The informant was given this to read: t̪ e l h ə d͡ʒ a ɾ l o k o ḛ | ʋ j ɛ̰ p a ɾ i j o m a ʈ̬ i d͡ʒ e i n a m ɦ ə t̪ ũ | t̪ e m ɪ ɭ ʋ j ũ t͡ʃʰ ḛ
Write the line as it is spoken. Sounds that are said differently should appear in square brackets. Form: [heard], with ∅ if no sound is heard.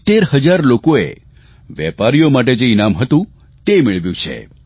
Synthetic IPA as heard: t̪ e [ɾ] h ə d͡ʒ a ɾ l o k o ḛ | ʋ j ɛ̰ p a ɾ i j o m a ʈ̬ [e] d͡ʒ e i n a m ɦ ə t̪ ũ | t̪ e m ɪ ɭ ʋ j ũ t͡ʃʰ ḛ